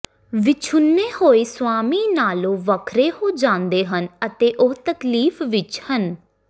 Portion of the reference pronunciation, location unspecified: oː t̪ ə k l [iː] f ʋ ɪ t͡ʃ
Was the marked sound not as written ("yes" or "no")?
no